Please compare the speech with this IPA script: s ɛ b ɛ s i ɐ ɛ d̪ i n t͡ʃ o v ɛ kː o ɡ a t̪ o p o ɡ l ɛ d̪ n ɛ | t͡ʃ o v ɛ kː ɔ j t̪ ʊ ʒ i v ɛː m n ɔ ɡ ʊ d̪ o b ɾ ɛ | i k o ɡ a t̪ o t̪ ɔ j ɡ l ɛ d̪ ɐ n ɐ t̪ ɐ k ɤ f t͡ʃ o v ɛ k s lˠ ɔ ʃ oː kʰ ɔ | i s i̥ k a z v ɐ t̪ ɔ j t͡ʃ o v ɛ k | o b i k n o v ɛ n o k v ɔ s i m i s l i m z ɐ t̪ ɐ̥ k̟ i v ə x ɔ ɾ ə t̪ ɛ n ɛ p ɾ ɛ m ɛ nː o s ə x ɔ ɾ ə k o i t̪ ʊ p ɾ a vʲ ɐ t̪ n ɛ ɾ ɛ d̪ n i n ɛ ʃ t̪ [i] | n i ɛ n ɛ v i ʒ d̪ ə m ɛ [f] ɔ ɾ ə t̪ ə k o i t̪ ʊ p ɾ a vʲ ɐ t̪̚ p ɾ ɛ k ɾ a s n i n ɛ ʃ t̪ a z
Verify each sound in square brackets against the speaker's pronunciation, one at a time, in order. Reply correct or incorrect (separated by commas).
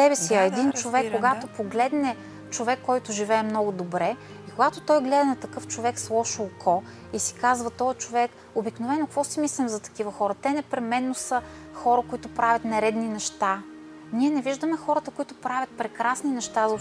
incorrect, incorrect